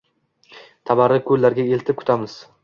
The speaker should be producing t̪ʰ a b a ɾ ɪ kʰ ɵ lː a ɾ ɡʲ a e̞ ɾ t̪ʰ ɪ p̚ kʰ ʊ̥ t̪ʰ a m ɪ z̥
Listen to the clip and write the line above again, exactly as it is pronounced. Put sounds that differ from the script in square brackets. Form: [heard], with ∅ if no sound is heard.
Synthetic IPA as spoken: t̪ʰ a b a ɾ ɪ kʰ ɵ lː a ɾ ɡʲ a e̞ [l] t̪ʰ ɪ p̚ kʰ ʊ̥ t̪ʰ a m ɪ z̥

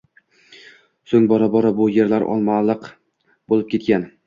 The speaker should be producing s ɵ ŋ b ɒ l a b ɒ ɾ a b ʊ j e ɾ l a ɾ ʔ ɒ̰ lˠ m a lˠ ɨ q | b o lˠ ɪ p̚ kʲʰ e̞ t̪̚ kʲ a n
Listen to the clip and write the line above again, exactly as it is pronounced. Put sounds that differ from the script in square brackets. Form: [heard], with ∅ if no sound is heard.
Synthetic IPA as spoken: s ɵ ŋ b ɒ [ɾ] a b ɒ ɾ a b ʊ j e ɾ l a ɾ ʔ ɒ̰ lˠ m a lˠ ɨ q | b o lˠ ɪ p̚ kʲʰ e̞ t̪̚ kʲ a n

